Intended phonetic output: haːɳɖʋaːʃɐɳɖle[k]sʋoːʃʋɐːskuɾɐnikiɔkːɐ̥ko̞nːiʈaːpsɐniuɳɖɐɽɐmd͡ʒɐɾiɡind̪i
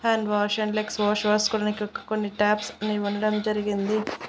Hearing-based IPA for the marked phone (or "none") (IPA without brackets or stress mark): k